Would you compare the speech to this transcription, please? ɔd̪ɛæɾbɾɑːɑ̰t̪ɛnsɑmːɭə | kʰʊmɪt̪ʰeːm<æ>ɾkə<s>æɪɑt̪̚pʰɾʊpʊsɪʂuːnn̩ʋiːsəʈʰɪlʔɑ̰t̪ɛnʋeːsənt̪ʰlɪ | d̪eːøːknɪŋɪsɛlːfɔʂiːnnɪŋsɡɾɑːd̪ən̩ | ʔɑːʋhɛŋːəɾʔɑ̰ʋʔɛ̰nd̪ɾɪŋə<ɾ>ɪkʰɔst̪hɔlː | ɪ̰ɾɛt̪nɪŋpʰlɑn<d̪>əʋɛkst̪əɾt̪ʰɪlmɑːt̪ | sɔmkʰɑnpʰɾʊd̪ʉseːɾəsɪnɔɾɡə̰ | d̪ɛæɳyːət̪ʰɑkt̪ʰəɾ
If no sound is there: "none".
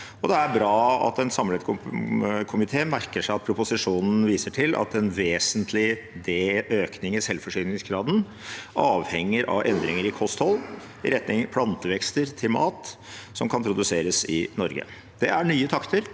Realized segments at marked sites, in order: æ, ʂ, ɾ, t̪

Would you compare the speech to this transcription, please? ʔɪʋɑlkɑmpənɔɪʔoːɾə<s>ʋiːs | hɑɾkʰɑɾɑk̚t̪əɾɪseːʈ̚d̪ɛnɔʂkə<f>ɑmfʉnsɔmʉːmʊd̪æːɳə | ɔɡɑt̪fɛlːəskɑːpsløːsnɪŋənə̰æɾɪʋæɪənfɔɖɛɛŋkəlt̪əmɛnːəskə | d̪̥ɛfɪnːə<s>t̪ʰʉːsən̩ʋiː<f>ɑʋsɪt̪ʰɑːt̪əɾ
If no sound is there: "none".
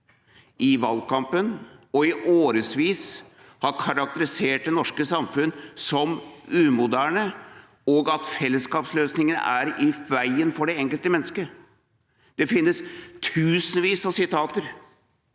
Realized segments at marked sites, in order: s, s, s, s

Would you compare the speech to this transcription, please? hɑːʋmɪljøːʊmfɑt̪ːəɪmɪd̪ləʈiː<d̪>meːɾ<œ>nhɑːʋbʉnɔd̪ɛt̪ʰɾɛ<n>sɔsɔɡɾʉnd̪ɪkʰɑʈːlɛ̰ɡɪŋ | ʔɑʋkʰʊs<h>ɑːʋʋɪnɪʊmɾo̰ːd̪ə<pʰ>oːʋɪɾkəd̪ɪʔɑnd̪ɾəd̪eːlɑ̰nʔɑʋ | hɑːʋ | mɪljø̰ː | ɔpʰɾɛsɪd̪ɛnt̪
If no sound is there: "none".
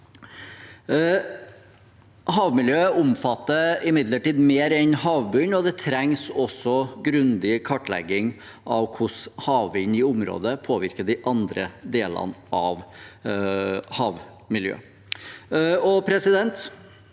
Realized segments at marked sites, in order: d̪, ɛ, ŋ, h, pʰ

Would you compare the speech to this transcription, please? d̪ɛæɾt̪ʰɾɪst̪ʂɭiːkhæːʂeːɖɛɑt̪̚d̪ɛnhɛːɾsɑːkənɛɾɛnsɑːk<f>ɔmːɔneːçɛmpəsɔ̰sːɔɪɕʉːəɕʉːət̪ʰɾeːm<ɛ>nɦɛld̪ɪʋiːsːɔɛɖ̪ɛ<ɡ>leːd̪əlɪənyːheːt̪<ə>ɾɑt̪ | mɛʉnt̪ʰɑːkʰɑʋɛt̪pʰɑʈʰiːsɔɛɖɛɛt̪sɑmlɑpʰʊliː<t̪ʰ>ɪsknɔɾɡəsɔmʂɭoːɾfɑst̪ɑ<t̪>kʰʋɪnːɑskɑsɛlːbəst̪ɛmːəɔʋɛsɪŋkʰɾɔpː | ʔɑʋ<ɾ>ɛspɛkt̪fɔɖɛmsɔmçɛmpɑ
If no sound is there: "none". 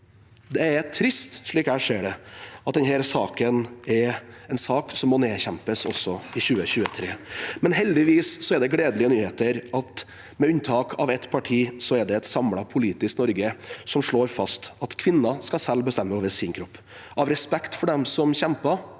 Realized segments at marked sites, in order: s, ɛ, ɡ, ə, t̪, t̪, ɾ

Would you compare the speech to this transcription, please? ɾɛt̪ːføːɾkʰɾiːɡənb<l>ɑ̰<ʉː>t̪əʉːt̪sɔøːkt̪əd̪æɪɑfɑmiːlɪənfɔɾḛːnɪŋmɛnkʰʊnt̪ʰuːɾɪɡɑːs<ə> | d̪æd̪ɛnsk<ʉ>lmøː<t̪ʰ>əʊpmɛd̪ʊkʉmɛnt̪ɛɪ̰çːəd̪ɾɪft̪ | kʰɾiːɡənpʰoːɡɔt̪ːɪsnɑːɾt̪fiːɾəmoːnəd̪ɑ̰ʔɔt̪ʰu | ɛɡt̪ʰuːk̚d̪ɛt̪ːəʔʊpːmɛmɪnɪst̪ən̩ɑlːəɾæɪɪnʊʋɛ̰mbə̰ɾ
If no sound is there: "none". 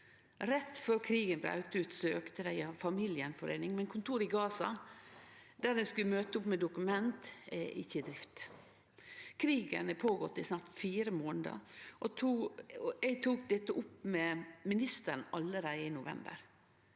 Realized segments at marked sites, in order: ɾ, ʉ, ɑ, ʉ, t̪

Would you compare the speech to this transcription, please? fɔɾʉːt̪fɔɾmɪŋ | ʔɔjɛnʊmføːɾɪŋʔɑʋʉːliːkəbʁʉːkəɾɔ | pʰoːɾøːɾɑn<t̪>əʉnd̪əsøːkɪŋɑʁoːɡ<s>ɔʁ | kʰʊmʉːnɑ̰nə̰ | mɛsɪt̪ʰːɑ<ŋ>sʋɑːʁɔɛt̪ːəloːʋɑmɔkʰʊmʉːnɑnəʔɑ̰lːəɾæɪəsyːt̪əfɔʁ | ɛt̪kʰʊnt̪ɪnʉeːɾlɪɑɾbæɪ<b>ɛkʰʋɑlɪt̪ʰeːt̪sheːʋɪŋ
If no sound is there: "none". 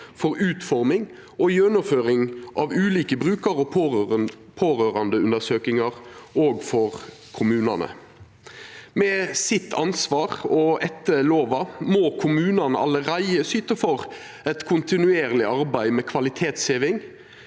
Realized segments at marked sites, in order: d̪, f, n, m

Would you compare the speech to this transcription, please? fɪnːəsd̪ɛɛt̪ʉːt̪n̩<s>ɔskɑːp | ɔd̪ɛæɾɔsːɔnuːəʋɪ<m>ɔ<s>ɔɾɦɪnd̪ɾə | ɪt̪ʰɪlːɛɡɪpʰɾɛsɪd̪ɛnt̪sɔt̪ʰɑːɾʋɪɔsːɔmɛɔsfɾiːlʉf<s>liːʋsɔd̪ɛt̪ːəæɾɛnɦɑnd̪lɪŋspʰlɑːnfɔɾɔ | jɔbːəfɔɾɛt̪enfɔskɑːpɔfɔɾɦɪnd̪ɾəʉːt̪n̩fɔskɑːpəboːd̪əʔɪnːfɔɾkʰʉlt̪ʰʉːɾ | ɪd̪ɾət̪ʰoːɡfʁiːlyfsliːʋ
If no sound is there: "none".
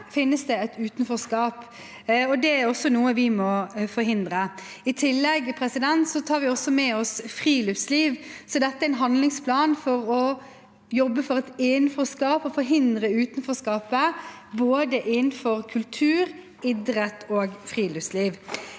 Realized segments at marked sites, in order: f, m, f, s

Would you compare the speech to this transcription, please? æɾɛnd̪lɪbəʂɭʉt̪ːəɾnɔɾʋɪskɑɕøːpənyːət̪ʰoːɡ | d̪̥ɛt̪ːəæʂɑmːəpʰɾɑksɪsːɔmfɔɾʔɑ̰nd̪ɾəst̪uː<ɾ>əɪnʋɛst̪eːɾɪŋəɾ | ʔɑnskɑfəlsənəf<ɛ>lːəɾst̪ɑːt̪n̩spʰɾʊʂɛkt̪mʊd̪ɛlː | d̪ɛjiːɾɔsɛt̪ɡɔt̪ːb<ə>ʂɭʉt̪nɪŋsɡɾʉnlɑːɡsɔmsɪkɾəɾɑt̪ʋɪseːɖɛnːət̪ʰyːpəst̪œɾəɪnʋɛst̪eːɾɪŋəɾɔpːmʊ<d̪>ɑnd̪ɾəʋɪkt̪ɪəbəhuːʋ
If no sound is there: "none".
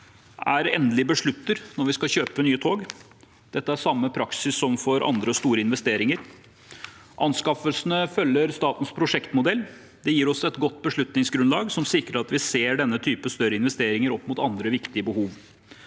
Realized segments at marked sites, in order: ɾ, œ, ə, t̪

